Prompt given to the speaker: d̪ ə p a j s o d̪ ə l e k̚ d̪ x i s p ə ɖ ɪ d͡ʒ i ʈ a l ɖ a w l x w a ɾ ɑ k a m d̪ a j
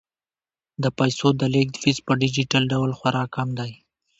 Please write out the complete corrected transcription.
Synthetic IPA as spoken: d̪ ə p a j s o d̪ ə l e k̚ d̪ f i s p ə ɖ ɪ d͡ʒ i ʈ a l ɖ a w l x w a ɾ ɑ k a m d̪ a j